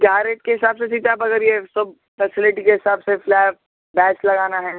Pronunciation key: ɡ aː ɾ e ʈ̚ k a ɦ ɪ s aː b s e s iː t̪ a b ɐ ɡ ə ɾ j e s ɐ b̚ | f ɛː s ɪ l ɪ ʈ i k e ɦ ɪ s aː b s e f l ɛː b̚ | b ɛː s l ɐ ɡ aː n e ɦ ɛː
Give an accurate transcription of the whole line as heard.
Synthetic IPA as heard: ɡ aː ɾ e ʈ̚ k e ɦ ɪ s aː b s e s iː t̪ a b ɐ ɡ ə ɾ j e s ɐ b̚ | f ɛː s ɪ l ɪ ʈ i k e ɦ ɪ s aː b s e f l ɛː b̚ | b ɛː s l ɐ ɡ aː n a ɦ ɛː